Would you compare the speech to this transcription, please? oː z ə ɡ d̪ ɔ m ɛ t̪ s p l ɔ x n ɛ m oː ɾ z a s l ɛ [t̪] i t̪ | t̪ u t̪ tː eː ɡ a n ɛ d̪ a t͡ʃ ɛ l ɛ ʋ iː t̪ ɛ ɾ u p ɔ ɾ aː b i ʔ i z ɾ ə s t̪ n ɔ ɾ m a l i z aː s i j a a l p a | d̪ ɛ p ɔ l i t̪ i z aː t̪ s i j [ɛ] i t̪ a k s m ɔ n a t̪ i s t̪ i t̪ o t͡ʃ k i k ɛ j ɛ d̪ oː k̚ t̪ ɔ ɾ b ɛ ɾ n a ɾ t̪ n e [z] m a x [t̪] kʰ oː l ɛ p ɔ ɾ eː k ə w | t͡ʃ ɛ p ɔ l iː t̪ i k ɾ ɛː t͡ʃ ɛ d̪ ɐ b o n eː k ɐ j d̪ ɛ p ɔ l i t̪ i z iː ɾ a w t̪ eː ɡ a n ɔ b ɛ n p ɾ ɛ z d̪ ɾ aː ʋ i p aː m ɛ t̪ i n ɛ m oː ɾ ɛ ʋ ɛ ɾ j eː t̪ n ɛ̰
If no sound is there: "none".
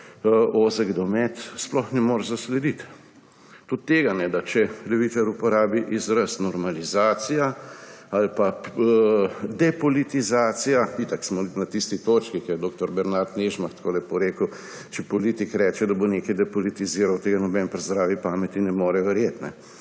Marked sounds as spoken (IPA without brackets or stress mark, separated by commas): d̪, a, ʒ, t̪